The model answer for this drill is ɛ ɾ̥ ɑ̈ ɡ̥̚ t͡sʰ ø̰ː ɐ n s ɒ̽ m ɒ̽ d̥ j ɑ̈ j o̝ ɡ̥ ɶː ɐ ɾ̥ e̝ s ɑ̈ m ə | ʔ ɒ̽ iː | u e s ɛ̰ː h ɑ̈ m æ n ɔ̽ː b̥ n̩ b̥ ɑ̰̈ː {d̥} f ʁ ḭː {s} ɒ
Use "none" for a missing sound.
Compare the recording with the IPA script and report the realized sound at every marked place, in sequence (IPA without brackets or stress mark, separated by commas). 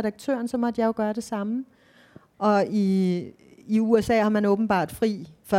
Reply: d̥, f